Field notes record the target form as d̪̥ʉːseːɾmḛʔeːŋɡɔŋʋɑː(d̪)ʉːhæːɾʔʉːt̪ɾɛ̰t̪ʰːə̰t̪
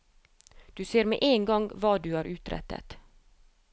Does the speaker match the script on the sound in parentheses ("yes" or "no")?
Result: yes